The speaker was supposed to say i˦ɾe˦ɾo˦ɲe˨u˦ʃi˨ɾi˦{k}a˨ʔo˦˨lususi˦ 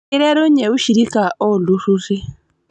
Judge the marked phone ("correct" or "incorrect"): correct